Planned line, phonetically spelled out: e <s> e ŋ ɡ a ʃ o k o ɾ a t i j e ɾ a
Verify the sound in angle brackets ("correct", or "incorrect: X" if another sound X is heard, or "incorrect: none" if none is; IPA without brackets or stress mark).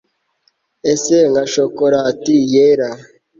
correct